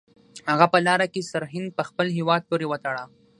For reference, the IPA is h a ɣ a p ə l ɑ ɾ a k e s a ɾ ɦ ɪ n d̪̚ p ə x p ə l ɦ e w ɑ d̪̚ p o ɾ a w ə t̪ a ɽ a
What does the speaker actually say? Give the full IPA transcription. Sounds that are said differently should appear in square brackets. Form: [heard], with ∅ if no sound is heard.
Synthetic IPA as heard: h a ɣ a p ə l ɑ ɾ a k e s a ɾ ɦ ɪ n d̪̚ p ə x p ə l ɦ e w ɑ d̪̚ p o ɾ [e] w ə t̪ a ɽ a